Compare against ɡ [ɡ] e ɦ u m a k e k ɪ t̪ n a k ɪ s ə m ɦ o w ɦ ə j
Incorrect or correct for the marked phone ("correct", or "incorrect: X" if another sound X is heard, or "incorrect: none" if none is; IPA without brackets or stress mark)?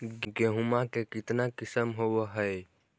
correct